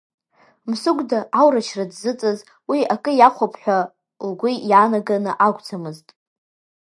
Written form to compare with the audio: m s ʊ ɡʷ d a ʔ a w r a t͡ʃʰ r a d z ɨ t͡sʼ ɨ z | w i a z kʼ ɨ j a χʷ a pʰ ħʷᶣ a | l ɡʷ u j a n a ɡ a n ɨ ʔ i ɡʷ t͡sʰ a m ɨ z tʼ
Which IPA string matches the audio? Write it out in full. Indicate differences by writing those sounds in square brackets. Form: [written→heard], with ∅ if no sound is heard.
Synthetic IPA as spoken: m s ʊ ɡʷ d a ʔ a w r a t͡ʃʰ r a d z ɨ t͡sʼ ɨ z | w i a [z→∅] kʼ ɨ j a χʷ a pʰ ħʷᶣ a | l ɡʷ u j a n a ɡ a n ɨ ʔ [i→a] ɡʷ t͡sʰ a m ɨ z tʼ